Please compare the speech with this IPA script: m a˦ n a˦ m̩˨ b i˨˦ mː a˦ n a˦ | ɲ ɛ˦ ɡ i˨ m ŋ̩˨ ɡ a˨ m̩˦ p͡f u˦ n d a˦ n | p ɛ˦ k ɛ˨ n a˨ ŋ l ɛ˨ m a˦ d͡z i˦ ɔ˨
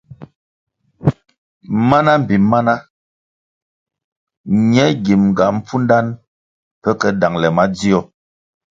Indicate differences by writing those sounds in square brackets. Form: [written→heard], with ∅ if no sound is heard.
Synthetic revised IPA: m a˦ n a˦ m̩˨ b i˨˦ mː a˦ n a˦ | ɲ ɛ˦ ɡ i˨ m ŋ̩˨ ɡ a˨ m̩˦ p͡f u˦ n d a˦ n | p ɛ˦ k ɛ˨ [n→d] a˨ ŋ l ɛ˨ m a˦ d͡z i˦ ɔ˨